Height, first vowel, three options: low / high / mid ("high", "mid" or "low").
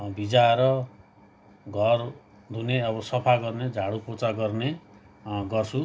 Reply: high